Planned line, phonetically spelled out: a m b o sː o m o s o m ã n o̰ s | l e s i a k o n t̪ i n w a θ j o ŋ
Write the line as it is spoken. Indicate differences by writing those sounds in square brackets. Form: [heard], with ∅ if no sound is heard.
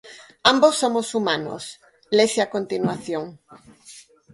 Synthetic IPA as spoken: a m b o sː o m o s [u] m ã n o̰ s | l e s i a k o n t̪ i n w a θ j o ŋ